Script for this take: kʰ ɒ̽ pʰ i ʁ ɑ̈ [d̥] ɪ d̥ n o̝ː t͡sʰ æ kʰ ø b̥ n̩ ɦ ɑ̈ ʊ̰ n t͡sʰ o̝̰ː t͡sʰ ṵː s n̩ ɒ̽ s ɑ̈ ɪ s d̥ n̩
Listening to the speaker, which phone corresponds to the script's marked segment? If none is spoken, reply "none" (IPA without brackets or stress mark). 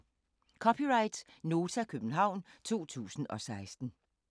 none